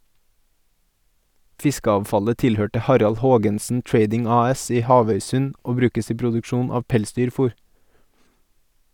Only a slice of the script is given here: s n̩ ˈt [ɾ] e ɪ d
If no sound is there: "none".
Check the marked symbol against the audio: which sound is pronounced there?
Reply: ɹ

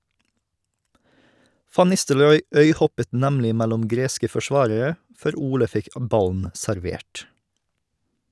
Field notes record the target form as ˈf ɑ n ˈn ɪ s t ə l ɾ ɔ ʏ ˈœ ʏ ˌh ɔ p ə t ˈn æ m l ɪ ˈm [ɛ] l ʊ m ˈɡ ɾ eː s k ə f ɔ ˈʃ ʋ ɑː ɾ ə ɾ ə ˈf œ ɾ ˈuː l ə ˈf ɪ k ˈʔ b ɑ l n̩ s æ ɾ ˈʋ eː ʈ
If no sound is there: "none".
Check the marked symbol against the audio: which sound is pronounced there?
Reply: æ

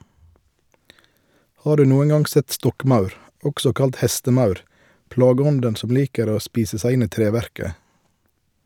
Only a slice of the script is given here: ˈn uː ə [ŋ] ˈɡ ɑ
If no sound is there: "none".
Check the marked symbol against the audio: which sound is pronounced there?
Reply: n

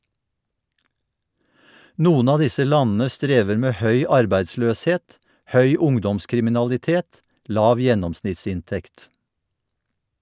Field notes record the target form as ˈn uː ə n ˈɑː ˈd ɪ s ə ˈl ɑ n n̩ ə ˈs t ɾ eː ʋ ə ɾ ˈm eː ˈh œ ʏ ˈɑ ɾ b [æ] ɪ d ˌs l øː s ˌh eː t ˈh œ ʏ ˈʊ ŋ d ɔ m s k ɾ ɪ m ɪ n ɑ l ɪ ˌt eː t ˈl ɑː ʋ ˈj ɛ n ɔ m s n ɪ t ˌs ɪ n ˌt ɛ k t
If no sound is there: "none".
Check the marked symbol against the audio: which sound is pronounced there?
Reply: æ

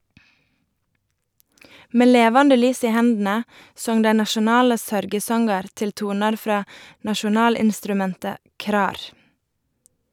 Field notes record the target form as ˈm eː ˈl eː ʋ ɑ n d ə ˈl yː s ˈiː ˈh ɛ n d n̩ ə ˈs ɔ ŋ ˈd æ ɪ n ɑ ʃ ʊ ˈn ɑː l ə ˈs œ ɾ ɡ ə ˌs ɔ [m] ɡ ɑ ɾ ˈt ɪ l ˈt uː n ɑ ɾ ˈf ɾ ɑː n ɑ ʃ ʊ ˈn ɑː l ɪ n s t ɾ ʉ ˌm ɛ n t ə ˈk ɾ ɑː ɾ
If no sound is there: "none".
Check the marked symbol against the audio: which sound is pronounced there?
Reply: ŋ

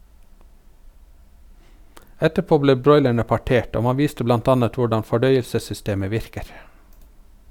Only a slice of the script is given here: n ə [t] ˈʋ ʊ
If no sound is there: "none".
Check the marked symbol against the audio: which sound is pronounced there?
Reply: t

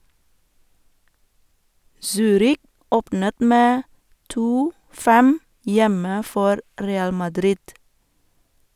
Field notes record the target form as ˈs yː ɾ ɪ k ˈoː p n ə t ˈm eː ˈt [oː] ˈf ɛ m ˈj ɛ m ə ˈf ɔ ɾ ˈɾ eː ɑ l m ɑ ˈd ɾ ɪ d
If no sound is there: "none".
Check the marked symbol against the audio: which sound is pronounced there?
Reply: uː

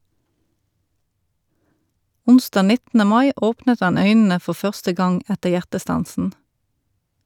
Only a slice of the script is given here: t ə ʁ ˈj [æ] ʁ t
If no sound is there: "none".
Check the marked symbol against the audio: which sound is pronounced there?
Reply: æ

